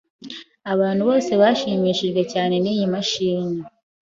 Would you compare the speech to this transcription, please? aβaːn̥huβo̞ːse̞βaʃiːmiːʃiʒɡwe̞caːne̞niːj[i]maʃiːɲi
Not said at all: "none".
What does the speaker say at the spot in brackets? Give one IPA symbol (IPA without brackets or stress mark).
i